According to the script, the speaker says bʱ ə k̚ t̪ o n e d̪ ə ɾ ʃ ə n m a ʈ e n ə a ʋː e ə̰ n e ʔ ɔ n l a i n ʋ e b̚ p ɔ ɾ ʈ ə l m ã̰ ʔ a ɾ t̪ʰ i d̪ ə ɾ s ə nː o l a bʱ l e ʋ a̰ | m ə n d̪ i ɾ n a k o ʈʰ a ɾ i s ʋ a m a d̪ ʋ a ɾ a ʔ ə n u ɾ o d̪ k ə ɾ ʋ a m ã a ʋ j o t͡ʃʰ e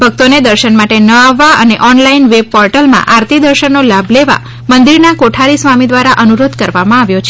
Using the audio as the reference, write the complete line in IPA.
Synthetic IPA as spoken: bʱ ə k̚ t̪ o n e d̪ ə ɾ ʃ ə n m a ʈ e n ə a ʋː a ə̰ n e ʔ ɔ n l a i n ʋ e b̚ p ɔ ɾ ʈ ə l m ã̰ ʔ a ɾ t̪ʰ i d̪ ə ɾ ʃ ə nː o l a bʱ l e ʋ a̰ | m ə n d̪ i ɾ n a k o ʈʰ a ɾ i s ʋ a m i d̪ ʋ a ɾ a ʔ ə n u ɾ o d̪ k ə ɾ ʋ a m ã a ʋ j o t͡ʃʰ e